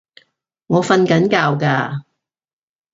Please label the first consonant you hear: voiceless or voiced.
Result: voiced